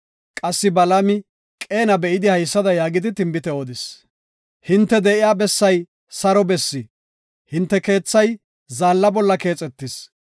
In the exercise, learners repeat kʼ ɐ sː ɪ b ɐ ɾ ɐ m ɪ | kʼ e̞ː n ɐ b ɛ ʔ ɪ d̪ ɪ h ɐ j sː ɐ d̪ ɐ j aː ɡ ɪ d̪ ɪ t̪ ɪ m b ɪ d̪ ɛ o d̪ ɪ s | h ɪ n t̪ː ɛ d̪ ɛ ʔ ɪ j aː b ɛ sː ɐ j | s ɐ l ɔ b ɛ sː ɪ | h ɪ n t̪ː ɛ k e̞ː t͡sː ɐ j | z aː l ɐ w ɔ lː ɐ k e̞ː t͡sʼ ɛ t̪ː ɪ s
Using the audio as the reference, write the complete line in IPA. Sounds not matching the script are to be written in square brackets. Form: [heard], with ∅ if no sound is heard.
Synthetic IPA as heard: kʼ ɐ sː ɪ b ɐ [l] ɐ m ɪ | kʼ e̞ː n ɐ b ɛ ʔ ɪ d̪ ɪ h ɐ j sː ɐ d̪ ɐ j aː ɡ ɪ d̪ ɪ t̪ ɪ m b ɪ [t̪] ɛ o d̪ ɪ s | h ɪ n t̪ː ɛ d̪ ɛ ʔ ɪ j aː b ɛ sː ɐ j | s ɐ [ɾ] ɔ b ɛ sː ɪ | h ɪ n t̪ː ɛ k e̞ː t͡sː ɐ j | z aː [lː] ɐ [b] ɔ lː ɐ k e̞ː t͡sʼ ɛ t̪ː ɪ s